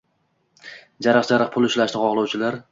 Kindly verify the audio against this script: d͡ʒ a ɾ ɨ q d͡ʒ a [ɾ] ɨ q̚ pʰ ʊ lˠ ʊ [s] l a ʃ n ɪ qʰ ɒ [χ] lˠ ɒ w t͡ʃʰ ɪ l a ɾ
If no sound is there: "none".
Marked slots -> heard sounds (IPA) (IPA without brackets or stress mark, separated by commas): ɾ, ʃ, ʁ